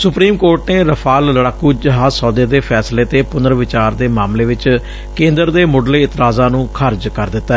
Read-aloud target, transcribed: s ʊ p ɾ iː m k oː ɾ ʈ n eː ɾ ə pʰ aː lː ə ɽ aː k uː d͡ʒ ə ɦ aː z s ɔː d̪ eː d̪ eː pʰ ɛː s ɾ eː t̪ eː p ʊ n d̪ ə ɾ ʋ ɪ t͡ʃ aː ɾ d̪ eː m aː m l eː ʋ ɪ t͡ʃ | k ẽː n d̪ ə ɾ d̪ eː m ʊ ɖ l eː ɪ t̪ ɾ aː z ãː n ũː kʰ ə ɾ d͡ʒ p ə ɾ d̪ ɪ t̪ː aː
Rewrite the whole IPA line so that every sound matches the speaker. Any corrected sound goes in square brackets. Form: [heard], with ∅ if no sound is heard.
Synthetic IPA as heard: s ʊ p ɾ iː m k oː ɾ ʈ n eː ɾ ə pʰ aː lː ə ɽ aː k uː d͡ʒ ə ɦ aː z s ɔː d̪ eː d̪ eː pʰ ɛː s [l] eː t̪ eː p ʊ n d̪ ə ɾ ʋ ɪ t͡ʃ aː ɾ d̪ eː m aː m l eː ʋ ɪ t͡ʃ | k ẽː n d̪ ə ɾ d̪ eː m ʊ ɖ l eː ɪ t̪ ɾ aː z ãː n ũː kʰ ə ɾ d͡ʒ [k] ə ɾ d̪ ɪ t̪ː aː